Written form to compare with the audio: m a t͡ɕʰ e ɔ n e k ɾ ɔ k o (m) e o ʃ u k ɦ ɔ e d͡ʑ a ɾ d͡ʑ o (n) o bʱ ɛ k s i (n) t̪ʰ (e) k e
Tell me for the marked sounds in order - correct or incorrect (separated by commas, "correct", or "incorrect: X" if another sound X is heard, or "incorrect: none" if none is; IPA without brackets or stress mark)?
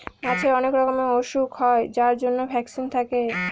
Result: correct, incorrect: nː, correct, incorrect: a